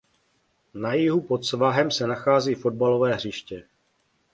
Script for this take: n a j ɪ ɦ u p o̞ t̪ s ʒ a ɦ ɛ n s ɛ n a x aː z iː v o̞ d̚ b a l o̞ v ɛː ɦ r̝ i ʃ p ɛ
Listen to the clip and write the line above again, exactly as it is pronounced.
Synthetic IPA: n a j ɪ ɦ u p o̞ t̪ s v a ɦ ɛ m s ɛ n a x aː z iː f o̞ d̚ b a l o̞ v ɛː ɦ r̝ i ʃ c ɛ

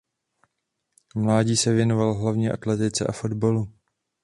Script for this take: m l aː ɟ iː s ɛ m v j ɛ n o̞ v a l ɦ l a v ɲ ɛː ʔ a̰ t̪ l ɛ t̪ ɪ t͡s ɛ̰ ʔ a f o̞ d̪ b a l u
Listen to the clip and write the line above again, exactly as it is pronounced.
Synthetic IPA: m l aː ɟ iː s ɛ v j ɛ n o̞ v a l ɦ l a v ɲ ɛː ʔ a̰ t̪ l ɛ t̪ ɪ t͡s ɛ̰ ʔ a f o̞ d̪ b a l u

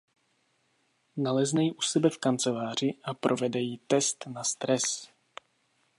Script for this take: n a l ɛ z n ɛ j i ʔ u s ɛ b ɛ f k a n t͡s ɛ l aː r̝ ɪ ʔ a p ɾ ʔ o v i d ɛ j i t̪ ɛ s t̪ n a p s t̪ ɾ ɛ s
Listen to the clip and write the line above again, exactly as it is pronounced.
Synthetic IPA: n a l ɛ z n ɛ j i ʔ u s ɛ b ɛ f k a n t͡s ɛ l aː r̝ ɪ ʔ a p ɾ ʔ o v ɛ d ɛ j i t̪ ɛ s t̪ n a s t̪ ɾ ɛ s

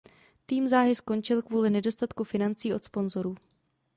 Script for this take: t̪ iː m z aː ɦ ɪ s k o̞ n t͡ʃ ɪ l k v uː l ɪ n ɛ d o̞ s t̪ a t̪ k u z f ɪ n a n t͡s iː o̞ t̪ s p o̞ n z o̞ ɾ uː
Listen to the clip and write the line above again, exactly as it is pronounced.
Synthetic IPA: t̪ iː m z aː ɦ ɪ s k o̞ n t͡ʃ ɪ l k v uː l ɪ n ɛ d o̞ s t̪ a t̪ k u f ɪ n a n t͡s iː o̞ t̪ s p o̞ n z o̞ ɾ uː

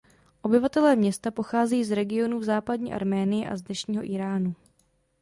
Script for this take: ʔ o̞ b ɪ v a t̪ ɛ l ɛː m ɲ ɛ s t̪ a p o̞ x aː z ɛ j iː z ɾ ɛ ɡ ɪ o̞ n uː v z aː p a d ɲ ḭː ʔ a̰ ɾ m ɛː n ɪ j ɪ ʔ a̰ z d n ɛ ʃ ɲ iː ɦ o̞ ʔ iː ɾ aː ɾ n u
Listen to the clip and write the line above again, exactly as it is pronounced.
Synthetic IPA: ʔ o̞ b ɪ v a t̪ ɛ l ɛː m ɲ ɛ s t̪ a p o̞ x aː z ɛ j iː z ɾ ɛ ɡ ɪ o̞ n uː v z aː p a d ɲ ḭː ʔ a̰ ɾ m ɛː n ɪ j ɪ ʔ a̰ z d n ɛ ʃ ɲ iː ɦ o̞ ʔ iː ɾ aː n u

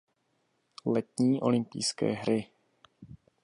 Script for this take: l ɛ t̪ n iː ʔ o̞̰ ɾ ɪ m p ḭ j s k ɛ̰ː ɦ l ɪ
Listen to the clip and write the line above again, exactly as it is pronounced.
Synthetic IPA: l ɛ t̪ ɲ iː ʔ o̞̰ l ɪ m p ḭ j s k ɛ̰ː ɦ ɾ ɪ

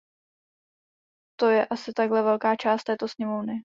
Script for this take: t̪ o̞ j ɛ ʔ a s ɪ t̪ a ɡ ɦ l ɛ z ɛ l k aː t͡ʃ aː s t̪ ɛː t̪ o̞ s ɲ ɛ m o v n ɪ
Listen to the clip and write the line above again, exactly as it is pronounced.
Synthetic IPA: t̪ o̞ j ɛ ʔ a s ɪ t̪ a ɡ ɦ l ɛ v ɛ l k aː t͡ʃ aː s t̪ ɛː t̪ o̞ s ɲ ɛ m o v n ɪ

